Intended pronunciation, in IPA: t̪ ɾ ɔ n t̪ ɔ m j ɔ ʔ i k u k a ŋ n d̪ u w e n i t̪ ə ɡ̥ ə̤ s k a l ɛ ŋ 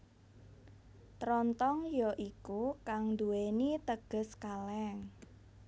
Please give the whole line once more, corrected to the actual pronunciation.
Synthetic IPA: t̪ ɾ ɔ n t̪ ɔ ŋ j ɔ ʔ i k u k a ŋ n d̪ u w e n i t̪ ə ɡ̥ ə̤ s k a l ɛ ŋ

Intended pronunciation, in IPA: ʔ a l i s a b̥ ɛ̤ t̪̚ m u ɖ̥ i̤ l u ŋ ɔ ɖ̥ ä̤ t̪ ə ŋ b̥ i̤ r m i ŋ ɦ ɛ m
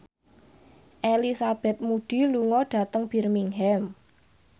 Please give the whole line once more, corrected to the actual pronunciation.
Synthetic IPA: ʔ e l i s a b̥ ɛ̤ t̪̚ m u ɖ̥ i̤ l u ŋ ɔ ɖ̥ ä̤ t̪ ə ŋ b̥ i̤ r m i ŋ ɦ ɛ m

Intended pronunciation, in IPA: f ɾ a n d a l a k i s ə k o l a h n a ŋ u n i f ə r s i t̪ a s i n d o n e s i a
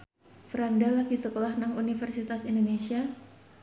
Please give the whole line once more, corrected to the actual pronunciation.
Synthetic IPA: f ɾ a n d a l a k i s ə k o l a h n a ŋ u n i f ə r s i t̪ a s i n d o n e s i a

